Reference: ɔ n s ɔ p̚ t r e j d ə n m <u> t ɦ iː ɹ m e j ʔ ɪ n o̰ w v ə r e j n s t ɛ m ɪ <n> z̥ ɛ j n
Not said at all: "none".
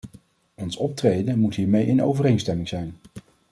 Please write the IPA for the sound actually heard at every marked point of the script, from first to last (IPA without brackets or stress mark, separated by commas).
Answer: u, ŋ